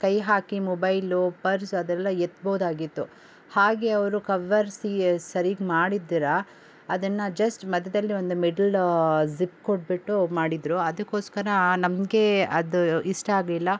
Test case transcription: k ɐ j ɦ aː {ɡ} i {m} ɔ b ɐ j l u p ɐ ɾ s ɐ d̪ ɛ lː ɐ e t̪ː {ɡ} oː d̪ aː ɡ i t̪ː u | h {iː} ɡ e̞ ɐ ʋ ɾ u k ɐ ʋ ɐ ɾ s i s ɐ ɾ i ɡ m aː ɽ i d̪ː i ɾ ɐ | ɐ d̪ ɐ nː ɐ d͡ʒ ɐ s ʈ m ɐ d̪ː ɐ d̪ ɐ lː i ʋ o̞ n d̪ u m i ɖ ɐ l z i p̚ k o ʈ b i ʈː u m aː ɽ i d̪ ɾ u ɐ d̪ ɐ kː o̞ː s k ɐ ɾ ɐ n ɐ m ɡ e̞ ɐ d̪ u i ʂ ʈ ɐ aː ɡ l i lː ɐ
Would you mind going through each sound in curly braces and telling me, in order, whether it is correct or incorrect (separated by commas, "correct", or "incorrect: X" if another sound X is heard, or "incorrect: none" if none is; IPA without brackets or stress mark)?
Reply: incorrect: k, correct, incorrect: b, incorrect: aː